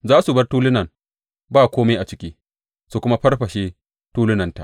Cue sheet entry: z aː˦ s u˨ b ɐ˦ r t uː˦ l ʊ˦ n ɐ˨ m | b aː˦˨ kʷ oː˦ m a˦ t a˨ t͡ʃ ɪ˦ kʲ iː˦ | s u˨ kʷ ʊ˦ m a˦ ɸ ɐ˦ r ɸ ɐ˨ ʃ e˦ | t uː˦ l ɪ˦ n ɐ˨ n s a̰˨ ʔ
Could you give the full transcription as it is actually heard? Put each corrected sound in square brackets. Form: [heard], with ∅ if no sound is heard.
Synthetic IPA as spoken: z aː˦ s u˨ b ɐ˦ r t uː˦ l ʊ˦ n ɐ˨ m | b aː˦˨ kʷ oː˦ m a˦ [ʔ] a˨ t͡ʃ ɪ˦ kʲ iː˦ | s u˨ kʷ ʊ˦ m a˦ ɸ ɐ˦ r ɸ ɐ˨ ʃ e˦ | t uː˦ l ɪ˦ n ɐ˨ n [t] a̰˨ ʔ